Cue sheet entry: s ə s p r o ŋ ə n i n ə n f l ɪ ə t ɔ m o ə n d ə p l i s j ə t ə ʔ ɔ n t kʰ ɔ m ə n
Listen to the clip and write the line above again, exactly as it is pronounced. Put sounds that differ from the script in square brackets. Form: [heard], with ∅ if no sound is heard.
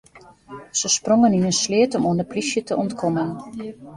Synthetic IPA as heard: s ə s p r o ŋ ə n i n ə n [s] l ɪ ə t ɔ m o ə n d ə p l i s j ə t ə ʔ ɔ n t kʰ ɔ m ə n